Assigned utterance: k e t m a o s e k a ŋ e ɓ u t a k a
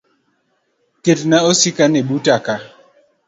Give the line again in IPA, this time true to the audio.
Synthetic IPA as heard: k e t n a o s i k a n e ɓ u t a k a